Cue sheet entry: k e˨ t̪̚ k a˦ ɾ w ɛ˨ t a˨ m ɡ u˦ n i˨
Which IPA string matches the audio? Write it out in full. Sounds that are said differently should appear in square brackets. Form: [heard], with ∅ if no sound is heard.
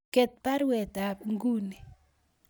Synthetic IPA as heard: k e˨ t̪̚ [p] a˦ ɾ w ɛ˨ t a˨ [ŋ] ɡ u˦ n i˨